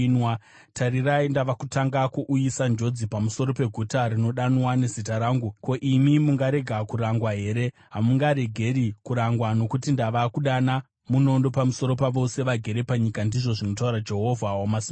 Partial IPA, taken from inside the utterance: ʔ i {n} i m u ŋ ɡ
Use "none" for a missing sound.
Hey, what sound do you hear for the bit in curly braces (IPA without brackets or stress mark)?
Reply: m